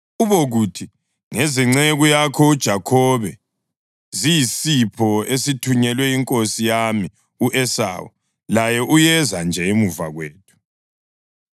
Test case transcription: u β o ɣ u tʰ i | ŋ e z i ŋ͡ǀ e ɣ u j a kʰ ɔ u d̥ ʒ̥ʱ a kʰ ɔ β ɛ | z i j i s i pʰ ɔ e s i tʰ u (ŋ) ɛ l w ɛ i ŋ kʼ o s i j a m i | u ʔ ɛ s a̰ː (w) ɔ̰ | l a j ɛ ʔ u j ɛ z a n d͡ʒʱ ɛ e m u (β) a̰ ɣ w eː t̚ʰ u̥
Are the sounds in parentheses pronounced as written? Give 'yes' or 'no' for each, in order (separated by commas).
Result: no, yes, no